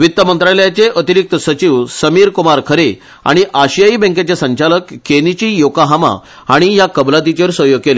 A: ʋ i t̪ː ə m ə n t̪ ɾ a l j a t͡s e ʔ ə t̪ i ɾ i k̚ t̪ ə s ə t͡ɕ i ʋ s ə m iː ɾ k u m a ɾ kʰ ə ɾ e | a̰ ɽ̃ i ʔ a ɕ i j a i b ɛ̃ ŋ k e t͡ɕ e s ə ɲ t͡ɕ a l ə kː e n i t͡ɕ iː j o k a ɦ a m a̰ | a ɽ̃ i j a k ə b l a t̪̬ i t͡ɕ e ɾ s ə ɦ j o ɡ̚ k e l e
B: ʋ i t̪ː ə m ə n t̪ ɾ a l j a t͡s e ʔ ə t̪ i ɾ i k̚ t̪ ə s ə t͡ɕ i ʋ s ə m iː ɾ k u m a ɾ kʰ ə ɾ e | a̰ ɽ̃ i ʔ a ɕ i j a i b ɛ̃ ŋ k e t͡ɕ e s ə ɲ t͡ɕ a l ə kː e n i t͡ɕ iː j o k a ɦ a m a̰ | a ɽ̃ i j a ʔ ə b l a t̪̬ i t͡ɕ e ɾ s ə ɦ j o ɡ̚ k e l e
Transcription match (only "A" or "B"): A